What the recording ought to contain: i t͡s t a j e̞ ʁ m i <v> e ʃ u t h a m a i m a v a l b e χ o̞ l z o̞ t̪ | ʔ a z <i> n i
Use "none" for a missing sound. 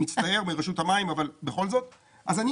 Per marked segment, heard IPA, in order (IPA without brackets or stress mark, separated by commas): ʁ, a